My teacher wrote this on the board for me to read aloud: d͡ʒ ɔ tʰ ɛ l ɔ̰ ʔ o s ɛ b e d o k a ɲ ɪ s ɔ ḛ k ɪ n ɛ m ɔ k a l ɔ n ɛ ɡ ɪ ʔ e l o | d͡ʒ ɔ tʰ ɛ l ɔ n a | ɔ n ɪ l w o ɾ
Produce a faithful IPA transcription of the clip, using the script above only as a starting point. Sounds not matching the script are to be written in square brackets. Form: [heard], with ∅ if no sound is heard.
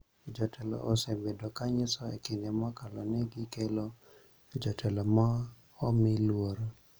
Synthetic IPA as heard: d͡ʒ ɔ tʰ ɛ l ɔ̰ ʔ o s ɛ b e d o k a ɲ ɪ s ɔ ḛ k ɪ n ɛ m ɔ k a l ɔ n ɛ ɡ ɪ [k] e l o | d͡ʒ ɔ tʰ ɛ l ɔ [m] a | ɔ [m] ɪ l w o ɾ